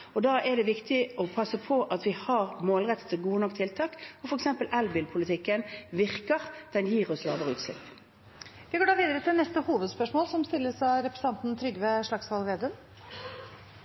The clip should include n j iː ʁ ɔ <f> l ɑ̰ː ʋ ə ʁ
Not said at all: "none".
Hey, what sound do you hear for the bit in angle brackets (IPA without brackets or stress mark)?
s